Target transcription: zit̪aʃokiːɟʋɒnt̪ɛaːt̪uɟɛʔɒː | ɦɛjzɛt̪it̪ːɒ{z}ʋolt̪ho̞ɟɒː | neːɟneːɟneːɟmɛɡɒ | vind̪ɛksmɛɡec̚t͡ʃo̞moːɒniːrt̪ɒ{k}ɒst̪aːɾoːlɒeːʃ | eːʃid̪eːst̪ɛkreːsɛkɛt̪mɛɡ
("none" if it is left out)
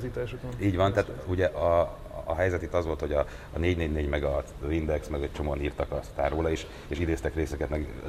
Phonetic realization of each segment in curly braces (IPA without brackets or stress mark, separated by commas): z, k